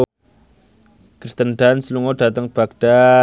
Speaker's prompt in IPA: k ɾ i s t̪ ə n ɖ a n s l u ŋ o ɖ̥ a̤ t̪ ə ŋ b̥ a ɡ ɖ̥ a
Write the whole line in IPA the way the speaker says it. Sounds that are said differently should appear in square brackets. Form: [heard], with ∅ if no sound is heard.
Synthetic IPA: k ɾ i s t̪ ə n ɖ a n s l u ŋ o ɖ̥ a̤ t̪ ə ŋ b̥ a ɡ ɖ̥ a